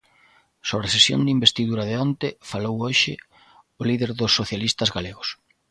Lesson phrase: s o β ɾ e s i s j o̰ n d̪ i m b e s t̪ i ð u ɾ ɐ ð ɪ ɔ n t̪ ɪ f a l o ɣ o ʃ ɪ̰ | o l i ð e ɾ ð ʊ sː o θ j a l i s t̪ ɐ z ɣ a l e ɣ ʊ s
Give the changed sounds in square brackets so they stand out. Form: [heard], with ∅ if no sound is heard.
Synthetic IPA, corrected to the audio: s o β ɾ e s [e] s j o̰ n d̪ i m b e s t̪ i ð u ɾ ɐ ð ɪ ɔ n t̪ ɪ f a l o [w] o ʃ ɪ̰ | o l i ð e ɾ ð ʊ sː o θ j a l i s t̪ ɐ z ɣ a l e ɣ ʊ s